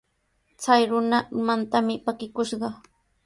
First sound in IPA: t͡s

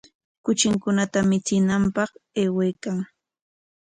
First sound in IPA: k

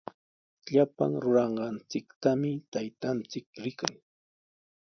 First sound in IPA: ʎ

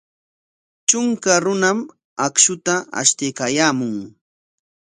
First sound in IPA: t͡ʃ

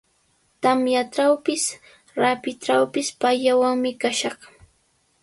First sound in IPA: t̪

